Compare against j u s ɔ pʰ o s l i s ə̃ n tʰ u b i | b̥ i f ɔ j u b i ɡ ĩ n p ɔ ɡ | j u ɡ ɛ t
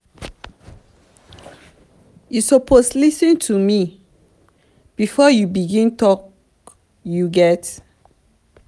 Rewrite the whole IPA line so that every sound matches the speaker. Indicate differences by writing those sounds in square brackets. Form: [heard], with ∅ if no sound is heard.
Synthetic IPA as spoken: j u s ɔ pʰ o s l i s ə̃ n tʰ u [m] i | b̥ i f ɔ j u b i ɡ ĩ n [t] ɔ [k] | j u ɡ ɛ t